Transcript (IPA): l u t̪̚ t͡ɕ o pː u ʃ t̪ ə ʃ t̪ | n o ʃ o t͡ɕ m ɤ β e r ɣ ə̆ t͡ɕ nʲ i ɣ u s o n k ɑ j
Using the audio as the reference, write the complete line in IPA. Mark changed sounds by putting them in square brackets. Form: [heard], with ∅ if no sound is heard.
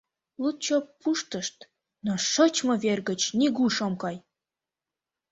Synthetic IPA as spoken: l u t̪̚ t͡ɕ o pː u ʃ t̪ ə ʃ t̪ | n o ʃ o t͡ɕ m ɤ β e r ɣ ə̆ t͡ɕ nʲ i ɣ u [ʃ] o [m] k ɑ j